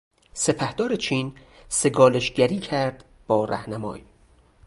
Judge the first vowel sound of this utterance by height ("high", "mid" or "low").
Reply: mid